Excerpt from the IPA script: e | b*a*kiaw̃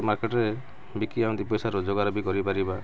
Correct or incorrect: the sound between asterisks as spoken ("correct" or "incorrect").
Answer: incorrect